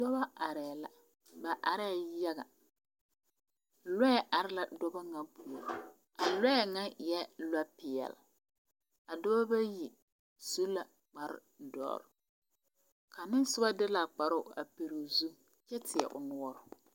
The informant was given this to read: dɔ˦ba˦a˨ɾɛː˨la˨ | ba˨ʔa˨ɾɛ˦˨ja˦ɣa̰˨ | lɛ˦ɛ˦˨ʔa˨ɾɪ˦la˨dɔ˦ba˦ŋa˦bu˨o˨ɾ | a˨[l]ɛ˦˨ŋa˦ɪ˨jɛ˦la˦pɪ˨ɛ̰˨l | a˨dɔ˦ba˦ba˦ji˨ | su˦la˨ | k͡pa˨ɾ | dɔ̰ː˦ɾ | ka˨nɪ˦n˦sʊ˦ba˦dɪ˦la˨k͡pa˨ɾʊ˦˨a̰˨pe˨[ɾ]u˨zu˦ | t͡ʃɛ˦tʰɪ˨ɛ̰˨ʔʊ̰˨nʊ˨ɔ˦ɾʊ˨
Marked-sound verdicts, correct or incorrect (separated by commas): correct, correct